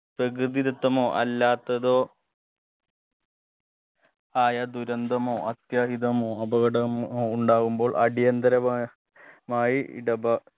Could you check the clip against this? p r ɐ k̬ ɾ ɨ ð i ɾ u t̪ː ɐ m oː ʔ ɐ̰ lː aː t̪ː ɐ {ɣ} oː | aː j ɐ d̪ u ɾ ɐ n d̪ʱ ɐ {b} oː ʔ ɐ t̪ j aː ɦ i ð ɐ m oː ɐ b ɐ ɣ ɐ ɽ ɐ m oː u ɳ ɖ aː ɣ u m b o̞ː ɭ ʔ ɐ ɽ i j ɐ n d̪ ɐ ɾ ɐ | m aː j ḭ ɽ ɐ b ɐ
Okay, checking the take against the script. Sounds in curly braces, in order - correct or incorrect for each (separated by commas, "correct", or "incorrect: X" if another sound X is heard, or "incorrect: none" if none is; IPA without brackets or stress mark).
incorrect: ð, incorrect: m